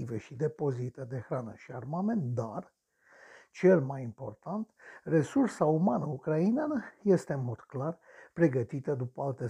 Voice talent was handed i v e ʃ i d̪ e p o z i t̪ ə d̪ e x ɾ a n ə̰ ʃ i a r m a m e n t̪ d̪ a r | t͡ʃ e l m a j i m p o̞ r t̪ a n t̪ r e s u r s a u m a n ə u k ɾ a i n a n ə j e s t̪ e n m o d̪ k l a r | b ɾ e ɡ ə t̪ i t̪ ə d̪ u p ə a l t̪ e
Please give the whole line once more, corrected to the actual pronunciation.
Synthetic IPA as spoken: i v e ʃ i d̪ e p o z i t̪ ə d̪ e x ɾ a n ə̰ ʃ i a r m a m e n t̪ d̪ a r | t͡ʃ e l m a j i m p o̞ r t̪ a n t̪ r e s u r s a u m a n ə u k ɾ a i n a n ə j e s t̪ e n m o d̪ k l a r | p ɾ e ɡ ə t̪ i t̪ ə d̪ u p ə a l t̪ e